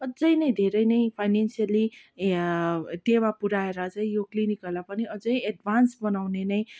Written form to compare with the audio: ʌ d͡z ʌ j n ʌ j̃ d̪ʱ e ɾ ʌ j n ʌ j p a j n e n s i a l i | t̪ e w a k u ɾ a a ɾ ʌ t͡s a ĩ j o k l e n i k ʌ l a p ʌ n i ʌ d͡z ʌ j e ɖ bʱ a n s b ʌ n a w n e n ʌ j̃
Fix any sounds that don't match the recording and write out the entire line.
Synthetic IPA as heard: ʌ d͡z ʌ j n ʌ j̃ d̪ʱ e ɾ ʌ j n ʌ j pʰ a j n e n s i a l i | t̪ e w a p u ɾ a e ɾ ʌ t͡s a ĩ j o k l i n i k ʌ l a p ʌ n i ʌ d͡z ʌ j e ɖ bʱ a n s b ʌ n a w n e n ʌ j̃